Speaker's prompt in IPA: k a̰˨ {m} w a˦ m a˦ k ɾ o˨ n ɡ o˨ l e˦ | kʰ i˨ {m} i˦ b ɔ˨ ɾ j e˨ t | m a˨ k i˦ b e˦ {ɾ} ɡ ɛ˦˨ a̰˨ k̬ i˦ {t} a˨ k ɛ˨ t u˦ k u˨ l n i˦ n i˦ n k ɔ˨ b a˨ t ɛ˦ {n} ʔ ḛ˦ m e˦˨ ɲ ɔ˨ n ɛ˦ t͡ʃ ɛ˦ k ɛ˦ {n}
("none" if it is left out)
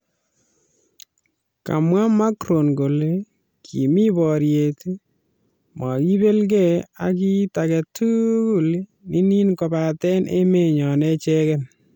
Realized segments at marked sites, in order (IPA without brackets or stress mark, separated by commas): m, m, l, t, n, n